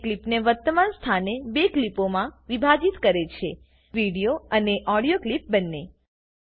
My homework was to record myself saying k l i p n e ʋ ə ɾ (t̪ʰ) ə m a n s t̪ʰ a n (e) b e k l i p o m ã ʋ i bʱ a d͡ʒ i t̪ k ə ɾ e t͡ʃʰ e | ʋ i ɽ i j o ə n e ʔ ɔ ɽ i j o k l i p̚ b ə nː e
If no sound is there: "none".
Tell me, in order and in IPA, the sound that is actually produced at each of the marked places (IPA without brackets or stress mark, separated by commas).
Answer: t̪, e